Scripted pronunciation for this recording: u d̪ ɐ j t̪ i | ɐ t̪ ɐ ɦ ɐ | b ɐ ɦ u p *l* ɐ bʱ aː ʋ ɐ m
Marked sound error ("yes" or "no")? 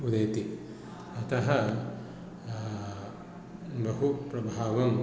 yes